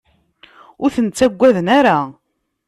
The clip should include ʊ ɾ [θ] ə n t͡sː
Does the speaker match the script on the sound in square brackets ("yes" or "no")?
yes